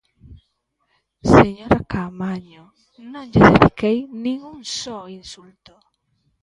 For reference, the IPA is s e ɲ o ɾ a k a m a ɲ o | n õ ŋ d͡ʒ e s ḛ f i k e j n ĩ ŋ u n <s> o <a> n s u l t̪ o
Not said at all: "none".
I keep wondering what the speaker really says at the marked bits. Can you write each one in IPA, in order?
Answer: s, i

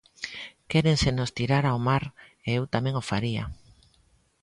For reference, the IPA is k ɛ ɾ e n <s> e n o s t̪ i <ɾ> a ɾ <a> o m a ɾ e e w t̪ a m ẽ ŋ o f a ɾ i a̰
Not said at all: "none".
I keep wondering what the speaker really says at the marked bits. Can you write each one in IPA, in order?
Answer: s, ɾ, a

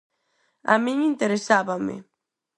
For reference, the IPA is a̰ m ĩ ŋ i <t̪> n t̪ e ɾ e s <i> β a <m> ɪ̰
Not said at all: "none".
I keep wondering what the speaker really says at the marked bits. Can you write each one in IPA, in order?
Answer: none, a, m

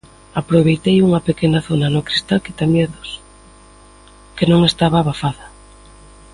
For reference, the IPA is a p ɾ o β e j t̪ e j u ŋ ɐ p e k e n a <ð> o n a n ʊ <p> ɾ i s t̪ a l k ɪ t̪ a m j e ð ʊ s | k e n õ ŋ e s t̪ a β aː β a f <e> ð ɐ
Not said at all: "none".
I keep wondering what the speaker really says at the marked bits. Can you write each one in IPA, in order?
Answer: θ, k, a

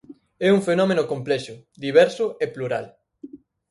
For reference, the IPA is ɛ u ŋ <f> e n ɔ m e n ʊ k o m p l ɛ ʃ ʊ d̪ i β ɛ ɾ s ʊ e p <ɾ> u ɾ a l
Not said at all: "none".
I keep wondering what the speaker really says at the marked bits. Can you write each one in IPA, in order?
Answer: f, l

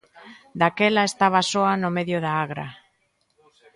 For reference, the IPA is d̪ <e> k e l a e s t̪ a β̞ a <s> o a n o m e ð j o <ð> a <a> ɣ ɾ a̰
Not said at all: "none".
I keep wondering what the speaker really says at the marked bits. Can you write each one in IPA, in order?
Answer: a, s, ð, a

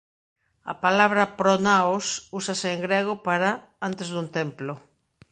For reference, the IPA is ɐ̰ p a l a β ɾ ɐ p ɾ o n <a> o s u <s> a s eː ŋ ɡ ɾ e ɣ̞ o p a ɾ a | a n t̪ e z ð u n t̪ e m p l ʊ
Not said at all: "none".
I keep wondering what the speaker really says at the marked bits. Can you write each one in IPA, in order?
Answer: a, s

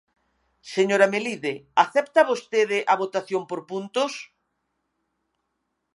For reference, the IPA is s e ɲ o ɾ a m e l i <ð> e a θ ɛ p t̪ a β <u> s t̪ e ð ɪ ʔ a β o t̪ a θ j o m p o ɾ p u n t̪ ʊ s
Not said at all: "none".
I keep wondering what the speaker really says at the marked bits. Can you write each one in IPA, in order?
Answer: ð, o

